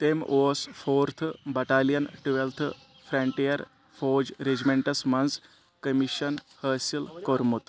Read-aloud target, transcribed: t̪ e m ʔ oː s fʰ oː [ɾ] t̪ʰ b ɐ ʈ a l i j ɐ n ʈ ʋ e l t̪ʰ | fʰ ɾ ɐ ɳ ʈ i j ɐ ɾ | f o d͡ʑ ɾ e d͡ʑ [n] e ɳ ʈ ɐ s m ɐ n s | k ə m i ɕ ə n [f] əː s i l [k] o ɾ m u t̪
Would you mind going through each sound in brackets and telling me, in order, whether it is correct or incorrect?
correct, incorrect, incorrect, correct

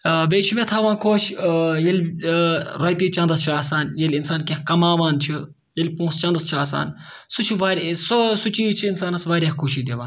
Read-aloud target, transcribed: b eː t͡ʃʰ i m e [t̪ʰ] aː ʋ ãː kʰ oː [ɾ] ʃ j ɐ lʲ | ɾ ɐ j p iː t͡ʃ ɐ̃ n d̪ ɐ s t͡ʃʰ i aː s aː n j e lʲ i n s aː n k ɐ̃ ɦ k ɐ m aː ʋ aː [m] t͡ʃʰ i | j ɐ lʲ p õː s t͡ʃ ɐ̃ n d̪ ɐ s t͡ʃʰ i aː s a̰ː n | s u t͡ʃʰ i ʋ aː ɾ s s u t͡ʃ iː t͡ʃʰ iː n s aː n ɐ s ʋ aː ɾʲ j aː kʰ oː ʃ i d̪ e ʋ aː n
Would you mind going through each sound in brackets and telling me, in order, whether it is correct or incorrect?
correct, incorrect, incorrect

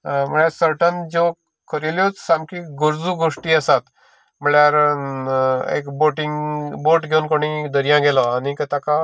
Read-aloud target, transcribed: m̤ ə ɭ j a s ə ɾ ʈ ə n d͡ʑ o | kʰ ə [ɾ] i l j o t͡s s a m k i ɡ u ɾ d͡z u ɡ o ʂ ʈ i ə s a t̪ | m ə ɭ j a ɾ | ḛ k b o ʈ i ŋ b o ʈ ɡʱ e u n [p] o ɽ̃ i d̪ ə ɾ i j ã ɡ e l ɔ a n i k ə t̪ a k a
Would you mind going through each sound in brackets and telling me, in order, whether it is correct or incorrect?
correct, incorrect

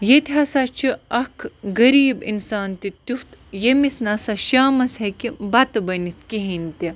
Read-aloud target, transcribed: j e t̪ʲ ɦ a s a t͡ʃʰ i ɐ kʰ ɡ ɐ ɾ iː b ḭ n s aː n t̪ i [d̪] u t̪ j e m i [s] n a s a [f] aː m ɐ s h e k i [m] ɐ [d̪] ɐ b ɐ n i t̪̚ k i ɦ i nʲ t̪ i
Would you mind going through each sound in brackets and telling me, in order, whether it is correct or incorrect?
incorrect, correct, incorrect, incorrect, incorrect

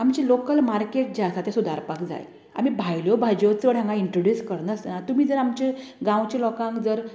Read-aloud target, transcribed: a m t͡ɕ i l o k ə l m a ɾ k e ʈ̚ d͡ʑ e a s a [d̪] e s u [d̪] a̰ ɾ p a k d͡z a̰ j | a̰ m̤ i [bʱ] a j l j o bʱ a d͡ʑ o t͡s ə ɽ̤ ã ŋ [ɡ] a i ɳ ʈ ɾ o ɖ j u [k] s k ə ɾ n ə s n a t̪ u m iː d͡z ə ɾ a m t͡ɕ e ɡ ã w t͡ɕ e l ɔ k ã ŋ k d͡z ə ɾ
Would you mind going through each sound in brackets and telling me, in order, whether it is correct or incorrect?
incorrect, correct, correct, correct, incorrect

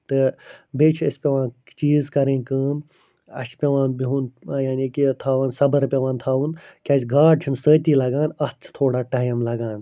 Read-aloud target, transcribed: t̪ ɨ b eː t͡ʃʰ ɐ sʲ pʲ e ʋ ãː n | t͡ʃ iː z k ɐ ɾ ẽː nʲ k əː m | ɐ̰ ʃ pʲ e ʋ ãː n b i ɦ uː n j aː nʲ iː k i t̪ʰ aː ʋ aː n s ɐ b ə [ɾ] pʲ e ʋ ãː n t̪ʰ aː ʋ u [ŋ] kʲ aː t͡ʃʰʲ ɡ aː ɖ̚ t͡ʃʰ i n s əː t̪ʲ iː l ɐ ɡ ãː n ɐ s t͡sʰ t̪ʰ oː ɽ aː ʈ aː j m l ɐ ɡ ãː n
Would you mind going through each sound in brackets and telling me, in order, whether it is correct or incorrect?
correct, incorrect

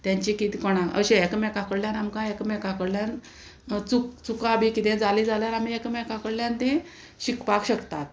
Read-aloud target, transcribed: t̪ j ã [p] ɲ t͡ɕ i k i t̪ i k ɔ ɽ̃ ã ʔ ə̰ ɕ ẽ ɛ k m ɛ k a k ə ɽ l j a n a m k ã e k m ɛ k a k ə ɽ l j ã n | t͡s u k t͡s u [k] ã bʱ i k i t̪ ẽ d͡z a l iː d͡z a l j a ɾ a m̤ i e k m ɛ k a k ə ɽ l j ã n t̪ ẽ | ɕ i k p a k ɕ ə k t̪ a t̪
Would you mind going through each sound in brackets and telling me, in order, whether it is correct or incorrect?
incorrect, correct

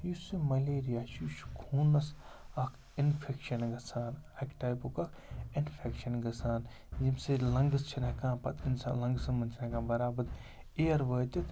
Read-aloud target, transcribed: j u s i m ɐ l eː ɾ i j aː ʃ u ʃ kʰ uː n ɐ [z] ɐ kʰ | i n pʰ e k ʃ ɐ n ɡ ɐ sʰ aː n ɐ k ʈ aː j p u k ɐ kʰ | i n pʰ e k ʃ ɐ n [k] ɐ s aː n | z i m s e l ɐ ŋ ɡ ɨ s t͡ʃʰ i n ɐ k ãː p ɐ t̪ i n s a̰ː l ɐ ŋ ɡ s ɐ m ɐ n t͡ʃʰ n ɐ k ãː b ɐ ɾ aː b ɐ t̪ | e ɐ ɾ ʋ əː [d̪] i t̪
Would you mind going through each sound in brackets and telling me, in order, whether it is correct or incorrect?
incorrect, incorrect, incorrect

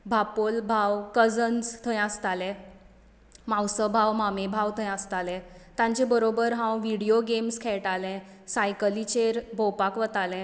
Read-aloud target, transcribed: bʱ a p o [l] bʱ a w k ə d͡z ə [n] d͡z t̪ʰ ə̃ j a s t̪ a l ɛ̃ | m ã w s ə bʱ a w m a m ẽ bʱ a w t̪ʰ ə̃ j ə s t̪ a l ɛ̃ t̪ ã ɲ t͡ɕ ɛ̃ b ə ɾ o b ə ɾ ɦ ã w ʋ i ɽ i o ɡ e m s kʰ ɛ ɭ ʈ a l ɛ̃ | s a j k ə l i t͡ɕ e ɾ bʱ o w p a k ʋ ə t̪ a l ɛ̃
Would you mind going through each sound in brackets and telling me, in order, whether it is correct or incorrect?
correct, correct

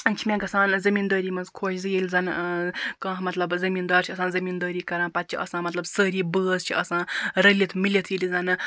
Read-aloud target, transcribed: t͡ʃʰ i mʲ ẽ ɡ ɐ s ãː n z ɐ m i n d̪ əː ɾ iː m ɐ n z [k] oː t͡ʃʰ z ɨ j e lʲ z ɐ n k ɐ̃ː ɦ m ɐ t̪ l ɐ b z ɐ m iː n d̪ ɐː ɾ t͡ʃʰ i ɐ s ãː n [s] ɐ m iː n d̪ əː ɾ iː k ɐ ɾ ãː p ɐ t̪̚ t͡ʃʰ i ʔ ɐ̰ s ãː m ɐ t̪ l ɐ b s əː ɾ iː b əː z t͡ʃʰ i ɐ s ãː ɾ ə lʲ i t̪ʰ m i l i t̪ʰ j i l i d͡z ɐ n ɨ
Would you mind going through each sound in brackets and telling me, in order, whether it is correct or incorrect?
incorrect, incorrect

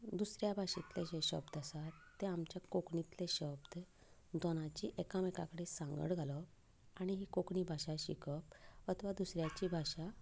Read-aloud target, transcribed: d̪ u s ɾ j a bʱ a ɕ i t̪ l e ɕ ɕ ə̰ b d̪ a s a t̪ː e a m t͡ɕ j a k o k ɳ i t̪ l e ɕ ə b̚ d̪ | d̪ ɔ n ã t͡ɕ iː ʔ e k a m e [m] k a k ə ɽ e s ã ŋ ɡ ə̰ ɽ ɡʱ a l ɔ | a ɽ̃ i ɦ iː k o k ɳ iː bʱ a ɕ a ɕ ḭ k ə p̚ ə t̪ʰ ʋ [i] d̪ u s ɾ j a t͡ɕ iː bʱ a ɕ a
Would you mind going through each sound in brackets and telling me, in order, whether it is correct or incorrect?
incorrect, incorrect

